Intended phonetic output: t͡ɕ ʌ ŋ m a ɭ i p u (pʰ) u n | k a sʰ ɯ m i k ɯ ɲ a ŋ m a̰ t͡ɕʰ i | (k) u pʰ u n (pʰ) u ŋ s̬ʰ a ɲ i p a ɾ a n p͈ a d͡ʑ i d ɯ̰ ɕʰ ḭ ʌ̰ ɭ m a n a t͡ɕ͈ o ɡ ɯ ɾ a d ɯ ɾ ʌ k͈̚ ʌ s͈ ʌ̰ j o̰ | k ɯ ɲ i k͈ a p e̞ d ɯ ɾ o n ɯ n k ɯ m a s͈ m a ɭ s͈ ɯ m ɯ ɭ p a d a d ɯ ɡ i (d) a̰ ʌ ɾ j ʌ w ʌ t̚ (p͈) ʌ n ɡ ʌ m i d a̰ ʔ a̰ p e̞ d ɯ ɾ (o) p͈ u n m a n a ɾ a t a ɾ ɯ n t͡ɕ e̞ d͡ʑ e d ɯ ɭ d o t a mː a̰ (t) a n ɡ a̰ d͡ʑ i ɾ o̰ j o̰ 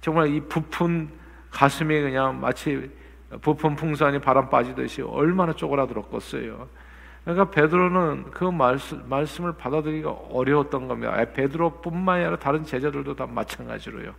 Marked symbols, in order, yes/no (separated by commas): yes, no, yes, no, no, yes, no